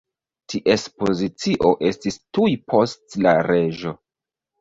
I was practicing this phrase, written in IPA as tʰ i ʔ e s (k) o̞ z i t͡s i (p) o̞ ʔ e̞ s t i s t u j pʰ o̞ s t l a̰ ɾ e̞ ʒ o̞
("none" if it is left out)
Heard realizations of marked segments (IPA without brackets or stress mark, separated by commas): p, ʔ